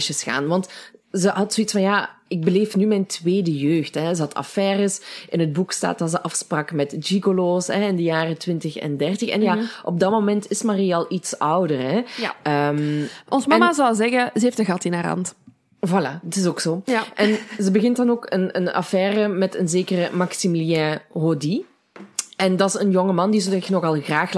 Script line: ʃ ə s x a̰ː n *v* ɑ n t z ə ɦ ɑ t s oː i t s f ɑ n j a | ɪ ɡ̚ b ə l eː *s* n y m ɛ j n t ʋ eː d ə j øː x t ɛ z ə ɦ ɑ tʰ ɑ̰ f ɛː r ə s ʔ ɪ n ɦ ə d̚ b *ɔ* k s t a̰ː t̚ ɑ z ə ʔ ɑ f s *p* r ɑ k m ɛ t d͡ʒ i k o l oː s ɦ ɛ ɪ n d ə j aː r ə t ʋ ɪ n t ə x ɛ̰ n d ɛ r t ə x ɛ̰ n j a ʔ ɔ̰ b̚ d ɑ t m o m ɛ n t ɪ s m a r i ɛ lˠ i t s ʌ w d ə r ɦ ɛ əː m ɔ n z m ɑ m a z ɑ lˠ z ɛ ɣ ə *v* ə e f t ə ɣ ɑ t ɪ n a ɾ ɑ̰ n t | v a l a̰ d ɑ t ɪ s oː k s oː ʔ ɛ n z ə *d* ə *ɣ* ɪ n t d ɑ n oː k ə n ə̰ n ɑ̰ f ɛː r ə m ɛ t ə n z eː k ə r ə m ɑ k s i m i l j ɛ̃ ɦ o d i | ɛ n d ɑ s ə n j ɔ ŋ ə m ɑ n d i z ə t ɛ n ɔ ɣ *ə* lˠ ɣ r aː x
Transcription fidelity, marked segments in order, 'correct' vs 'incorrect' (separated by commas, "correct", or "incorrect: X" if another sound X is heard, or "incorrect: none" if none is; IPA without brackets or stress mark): incorrect: ʋ, incorrect: f, incorrect: u, correct, incorrect: z, incorrect: b, correct, incorrect: ɑ